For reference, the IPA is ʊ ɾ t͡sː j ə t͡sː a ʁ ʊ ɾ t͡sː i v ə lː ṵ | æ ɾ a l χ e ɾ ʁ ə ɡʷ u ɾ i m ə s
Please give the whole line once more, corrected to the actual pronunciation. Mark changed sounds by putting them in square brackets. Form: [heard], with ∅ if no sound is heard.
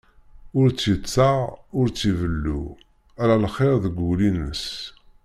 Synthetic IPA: ʊ ɾ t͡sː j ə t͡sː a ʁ ʊ ɾ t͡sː i v ə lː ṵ | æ ɾ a l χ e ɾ [ð] ə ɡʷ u [l] i [n] ə s